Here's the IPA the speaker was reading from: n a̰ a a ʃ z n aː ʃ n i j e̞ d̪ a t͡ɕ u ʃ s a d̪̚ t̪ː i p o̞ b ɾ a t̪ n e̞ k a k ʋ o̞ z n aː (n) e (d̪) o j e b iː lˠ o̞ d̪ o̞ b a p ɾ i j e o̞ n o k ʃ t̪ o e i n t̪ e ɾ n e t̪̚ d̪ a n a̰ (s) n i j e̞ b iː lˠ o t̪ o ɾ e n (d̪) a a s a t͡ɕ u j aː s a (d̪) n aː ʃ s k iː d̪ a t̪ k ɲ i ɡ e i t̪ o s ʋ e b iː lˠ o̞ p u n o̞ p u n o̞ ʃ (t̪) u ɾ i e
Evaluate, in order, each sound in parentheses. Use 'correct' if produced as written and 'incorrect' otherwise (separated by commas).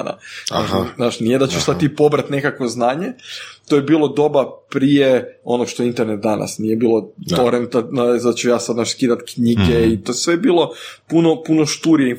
incorrect, incorrect, correct, incorrect, correct, correct